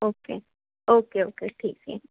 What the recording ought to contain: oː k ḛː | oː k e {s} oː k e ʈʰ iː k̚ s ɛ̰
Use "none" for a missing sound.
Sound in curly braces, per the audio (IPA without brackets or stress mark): none